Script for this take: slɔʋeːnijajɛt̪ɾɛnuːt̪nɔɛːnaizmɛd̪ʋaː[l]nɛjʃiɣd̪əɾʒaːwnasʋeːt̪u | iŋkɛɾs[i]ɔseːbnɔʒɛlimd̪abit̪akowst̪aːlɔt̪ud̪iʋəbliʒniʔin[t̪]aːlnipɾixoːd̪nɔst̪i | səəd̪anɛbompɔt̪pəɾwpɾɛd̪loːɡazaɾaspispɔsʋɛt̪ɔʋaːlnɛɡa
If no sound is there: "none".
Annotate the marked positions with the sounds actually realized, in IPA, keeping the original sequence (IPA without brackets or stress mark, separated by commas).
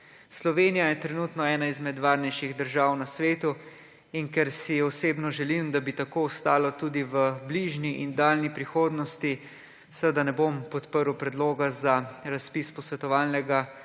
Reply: ɾ, i, d̪